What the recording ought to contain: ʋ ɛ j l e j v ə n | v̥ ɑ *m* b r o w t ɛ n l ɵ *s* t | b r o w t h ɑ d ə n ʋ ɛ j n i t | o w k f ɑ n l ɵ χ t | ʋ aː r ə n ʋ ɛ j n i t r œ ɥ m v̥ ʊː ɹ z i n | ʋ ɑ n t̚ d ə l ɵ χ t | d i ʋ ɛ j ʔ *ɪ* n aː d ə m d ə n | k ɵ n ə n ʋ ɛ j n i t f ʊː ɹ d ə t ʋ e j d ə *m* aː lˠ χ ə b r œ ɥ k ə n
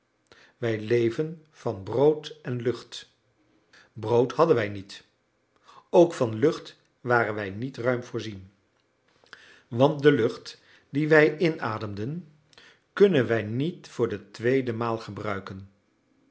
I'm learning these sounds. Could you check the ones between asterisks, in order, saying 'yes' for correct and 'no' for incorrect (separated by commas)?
no, no, yes, yes